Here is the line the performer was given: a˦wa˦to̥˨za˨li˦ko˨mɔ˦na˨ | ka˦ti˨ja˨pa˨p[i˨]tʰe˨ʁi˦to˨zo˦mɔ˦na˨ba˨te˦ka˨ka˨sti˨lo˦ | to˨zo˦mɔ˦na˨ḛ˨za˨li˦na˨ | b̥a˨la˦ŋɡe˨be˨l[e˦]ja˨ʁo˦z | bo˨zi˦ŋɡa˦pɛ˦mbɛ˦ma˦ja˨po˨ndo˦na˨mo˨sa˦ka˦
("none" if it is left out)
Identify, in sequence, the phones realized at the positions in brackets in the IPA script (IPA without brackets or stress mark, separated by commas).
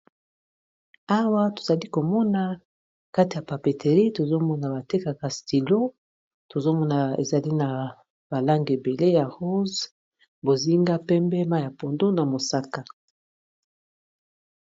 e˨, e˦